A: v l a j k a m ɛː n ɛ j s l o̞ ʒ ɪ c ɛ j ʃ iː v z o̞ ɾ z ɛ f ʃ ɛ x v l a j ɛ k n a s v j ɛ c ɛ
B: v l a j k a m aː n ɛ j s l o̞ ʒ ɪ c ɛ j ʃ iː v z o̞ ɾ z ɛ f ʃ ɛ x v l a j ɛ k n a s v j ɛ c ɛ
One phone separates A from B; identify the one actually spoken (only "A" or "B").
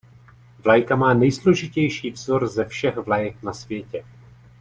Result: B